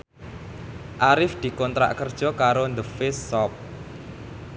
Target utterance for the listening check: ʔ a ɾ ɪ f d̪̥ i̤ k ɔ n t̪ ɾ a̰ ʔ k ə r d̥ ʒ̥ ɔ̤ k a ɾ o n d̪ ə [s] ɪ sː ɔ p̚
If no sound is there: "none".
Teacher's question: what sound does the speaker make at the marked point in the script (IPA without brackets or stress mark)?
f